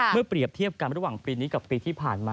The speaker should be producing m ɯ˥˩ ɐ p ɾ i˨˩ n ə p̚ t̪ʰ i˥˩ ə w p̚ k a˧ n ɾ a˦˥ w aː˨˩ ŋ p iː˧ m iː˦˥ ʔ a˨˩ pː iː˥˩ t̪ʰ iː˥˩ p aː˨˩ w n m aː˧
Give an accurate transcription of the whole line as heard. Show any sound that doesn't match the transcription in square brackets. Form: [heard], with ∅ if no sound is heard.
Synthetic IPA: m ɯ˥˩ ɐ p ɾ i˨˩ [∅] ə p̚ t̪ʰ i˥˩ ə [∅] p̚ k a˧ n ɾ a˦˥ w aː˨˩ ŋ p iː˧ [n] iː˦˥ [k] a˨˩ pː [iː˧] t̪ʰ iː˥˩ [pʰ] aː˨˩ [∅] n m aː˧